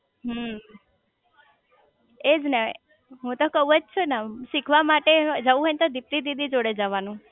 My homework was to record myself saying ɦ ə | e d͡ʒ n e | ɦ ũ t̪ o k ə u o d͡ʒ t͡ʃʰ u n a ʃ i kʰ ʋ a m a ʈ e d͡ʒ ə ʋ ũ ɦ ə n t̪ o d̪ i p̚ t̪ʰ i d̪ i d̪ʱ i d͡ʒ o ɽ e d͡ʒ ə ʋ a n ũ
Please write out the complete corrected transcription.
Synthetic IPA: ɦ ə | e d͡ʒ n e | ɦ ũ t̪ o k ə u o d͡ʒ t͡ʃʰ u n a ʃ i kʰ ʋ a m a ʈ e d͡ʒ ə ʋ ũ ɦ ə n t̪ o d̪ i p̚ t̪ i d̪ i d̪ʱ i d͡ʒ o ɽ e d͡ʒ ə ʋ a n ũ